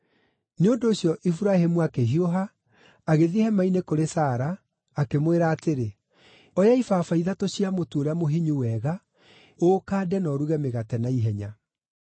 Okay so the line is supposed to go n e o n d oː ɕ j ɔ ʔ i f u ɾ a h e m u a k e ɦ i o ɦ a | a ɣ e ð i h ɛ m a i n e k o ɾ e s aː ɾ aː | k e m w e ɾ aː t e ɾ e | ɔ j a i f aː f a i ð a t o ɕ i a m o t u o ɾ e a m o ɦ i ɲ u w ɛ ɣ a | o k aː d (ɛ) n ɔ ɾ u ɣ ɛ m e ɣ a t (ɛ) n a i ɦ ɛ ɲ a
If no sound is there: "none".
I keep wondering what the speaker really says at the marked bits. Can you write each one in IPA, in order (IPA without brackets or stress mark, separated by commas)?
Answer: ɛ, ɛ